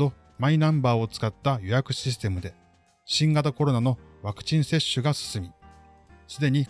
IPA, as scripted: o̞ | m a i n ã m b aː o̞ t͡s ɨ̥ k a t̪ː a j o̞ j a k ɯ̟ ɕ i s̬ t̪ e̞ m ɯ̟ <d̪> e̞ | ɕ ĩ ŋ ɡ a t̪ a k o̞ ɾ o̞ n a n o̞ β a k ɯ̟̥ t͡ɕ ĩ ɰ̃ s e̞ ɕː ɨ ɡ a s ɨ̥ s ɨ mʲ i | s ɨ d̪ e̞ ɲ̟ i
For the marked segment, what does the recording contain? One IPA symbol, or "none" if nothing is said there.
d̪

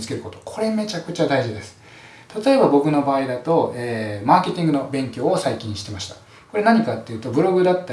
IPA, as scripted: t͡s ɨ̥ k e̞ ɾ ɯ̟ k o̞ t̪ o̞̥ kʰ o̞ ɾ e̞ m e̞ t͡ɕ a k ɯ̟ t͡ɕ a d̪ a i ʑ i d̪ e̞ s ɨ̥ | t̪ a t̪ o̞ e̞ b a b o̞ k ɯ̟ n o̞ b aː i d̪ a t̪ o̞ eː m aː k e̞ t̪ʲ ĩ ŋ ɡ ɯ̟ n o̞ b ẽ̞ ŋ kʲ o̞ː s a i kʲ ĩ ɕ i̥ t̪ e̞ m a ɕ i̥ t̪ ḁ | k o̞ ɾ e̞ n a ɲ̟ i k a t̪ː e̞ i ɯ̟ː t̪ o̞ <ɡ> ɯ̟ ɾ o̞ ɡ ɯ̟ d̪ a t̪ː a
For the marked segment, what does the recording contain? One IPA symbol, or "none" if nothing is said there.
b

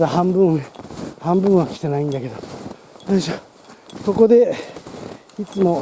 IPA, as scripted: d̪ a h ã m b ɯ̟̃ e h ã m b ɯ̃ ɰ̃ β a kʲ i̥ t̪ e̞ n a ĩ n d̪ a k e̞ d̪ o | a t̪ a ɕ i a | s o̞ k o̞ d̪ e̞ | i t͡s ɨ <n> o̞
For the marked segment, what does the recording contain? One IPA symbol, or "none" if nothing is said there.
m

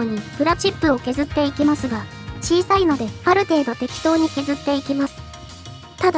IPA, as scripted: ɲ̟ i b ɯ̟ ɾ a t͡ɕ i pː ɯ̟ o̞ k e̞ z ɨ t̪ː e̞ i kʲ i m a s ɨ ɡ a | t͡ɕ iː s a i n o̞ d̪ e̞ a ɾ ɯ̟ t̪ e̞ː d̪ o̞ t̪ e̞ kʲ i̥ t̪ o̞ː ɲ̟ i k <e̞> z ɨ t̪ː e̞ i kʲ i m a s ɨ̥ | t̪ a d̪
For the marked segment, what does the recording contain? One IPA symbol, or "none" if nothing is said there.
e̞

